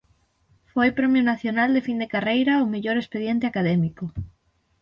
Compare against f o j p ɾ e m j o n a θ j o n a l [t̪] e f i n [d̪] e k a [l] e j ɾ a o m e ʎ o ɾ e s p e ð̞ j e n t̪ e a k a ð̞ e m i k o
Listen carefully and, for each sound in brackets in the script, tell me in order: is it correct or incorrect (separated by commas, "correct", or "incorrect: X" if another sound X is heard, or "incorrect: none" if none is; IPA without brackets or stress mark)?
incorrect: d̪, correct, incorrect: r